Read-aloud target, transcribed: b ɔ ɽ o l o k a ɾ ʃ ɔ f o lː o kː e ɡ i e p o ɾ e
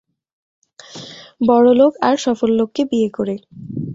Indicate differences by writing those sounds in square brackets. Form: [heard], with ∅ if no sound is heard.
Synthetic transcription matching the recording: b ɔ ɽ o l o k a ɾ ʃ ɔ f o lː o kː e [b] i e [k] o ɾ e